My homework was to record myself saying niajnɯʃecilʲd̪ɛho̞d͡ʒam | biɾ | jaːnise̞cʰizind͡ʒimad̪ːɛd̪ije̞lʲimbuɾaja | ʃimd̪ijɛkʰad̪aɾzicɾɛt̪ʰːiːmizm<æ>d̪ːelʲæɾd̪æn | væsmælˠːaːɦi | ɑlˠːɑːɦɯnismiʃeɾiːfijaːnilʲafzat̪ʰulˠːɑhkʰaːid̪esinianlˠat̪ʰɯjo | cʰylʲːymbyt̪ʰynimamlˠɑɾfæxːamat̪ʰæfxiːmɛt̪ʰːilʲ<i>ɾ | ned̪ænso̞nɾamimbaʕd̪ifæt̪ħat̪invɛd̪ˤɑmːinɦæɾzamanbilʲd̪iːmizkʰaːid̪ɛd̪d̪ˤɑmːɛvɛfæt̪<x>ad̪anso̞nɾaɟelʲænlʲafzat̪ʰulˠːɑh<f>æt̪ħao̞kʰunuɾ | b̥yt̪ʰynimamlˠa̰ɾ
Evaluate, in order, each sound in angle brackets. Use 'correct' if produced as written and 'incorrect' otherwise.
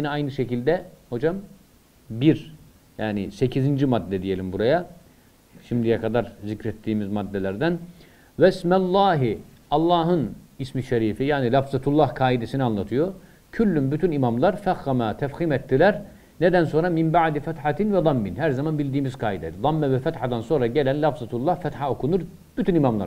incorrect: a, incorrect: æ, incorrect: ħ, correct

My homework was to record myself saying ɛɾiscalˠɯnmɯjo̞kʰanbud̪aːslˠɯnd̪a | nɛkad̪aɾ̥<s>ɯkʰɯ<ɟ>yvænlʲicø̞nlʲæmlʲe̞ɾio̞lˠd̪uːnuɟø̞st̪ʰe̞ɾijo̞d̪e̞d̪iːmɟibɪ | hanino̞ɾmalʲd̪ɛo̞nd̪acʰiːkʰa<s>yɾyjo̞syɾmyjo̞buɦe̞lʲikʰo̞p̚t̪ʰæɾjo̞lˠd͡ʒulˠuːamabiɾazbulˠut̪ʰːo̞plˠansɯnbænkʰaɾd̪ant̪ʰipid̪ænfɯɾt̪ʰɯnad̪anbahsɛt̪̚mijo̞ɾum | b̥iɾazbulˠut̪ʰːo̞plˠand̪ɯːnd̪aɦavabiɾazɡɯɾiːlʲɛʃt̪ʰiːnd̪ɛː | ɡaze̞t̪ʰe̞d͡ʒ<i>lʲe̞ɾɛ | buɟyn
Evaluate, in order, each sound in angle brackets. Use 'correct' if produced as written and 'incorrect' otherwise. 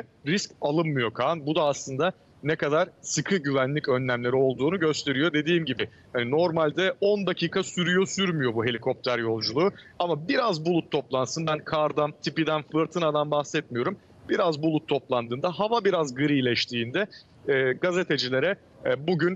correct, correct, correct, correct

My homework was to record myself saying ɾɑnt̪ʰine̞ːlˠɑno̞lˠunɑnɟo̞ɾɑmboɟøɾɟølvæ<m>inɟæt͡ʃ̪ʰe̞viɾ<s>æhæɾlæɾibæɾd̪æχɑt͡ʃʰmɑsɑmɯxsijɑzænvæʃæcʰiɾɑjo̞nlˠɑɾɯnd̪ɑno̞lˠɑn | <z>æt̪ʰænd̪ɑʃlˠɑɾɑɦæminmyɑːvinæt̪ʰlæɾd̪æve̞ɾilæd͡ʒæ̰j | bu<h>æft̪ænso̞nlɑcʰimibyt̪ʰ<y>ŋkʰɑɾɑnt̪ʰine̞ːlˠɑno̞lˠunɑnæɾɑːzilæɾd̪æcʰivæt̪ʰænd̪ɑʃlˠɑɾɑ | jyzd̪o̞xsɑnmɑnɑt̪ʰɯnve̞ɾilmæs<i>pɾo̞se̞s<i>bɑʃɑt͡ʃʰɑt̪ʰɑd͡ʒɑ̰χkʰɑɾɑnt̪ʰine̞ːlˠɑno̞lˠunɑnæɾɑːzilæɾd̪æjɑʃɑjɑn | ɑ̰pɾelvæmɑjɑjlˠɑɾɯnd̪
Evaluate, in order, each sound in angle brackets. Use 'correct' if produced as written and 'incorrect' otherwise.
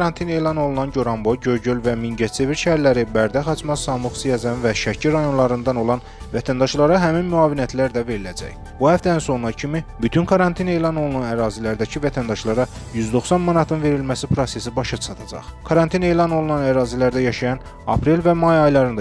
correct, incorrect: ʃ, incorrect: v, correct, correct, correct, correct

